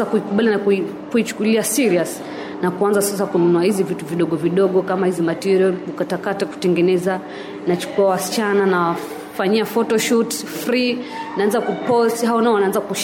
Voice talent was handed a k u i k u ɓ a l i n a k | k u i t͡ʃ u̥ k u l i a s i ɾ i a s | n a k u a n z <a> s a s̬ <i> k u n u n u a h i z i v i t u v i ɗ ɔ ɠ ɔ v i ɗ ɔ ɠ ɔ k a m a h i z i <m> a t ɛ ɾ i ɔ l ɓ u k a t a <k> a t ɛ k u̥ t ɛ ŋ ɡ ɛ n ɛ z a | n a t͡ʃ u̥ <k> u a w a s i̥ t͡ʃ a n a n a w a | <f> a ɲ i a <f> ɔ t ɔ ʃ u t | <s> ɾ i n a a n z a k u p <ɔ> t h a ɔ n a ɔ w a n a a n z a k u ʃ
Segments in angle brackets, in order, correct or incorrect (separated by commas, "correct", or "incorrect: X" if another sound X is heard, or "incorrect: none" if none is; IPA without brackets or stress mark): correct, incorrect: a, correct, correct, correct, correct, correct, incorrect: f, correct